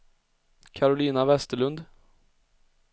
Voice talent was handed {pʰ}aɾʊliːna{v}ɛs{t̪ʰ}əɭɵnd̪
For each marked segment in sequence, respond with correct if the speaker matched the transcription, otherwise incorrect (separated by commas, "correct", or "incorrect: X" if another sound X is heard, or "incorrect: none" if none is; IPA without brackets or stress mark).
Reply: incorrect: kʰ, correct, incorrect: t̪